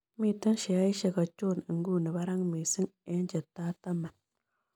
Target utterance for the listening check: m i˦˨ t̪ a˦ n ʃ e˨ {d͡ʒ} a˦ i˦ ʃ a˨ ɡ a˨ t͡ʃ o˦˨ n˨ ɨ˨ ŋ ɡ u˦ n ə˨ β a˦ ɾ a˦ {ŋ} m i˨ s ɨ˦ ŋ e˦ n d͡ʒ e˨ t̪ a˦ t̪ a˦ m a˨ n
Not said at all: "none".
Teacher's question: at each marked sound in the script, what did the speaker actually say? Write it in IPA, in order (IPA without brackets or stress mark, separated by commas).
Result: none, ŋ